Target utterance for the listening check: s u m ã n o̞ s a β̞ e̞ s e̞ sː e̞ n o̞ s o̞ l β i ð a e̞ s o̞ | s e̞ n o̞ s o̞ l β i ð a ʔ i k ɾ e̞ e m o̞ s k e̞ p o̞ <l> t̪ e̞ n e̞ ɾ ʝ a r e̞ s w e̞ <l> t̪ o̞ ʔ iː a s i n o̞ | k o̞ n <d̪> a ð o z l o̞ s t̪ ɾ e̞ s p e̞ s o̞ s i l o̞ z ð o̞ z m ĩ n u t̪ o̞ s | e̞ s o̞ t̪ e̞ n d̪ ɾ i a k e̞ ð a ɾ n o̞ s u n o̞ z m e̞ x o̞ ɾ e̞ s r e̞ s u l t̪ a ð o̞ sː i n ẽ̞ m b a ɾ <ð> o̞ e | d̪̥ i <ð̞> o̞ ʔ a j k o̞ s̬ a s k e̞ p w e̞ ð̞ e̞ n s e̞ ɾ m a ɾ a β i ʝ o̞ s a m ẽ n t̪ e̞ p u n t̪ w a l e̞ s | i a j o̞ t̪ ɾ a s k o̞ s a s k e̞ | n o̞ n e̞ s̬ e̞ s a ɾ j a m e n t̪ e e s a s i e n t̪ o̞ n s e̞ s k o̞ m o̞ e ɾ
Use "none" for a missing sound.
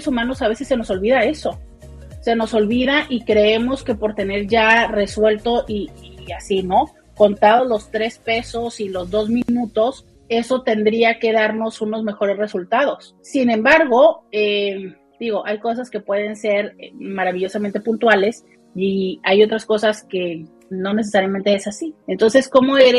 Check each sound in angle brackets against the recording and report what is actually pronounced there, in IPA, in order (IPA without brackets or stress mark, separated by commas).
ɾ, l, t̪, ɣ, ɣ̞